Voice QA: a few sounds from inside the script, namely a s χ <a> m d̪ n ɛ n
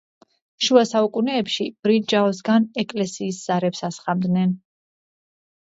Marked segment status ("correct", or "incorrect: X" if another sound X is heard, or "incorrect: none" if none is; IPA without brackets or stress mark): correct